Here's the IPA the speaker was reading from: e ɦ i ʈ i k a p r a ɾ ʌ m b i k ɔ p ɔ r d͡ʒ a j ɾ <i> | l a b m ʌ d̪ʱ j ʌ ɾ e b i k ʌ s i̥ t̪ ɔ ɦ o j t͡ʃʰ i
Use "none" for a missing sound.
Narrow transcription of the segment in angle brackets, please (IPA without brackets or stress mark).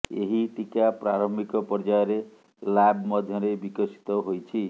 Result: e